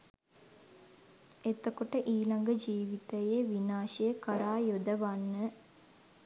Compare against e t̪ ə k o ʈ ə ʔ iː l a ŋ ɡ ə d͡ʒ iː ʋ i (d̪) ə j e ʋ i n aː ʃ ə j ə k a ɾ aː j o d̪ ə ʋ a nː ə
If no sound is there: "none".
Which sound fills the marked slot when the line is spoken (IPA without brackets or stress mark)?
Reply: t̪